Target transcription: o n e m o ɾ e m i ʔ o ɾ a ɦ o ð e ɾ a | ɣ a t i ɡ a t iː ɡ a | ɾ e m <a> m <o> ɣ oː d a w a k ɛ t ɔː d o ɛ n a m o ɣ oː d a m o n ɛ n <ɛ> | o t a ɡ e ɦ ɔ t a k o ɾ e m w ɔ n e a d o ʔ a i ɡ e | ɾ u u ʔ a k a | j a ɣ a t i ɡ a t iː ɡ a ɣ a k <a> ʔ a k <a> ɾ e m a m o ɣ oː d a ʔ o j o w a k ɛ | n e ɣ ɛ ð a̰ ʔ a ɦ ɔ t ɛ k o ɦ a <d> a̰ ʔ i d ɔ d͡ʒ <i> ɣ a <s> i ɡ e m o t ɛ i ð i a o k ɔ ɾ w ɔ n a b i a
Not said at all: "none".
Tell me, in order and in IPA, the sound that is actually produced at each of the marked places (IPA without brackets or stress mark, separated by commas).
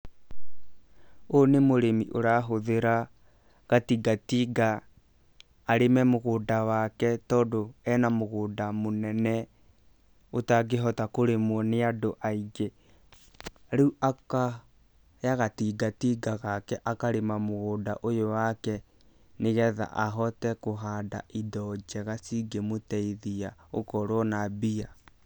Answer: ɛ, o, ɛ, ɛ, a, d, ɛ, s